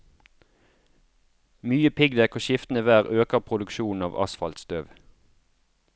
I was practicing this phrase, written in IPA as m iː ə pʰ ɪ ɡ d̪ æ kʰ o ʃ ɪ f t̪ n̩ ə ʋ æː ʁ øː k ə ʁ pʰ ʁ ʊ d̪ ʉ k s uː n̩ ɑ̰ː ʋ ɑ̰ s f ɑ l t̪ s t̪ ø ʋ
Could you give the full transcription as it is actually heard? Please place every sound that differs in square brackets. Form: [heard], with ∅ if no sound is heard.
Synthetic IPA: m [yː] ə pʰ ɪ ɡ d̪ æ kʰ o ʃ ɪ f t̪ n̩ ə ʋ æː ʁ øː k ə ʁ pʰ ʁ ʊ d̪ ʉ k [ʃ] uː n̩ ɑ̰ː ʋ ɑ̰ s f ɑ l t̪ s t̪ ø ʋ